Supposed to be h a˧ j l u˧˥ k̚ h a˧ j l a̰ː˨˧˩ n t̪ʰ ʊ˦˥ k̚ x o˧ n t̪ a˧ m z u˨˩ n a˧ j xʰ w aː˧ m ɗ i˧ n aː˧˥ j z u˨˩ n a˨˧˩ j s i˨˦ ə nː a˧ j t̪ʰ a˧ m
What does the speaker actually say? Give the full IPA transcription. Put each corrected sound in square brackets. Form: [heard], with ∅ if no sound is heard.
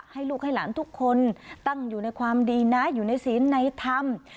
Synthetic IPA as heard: h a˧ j l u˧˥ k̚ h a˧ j l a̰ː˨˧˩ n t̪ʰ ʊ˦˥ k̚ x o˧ n t̪ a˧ [ŋ] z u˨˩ n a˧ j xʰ w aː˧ m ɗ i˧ n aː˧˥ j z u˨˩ n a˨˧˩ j s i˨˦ ə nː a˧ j t̪ʰ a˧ m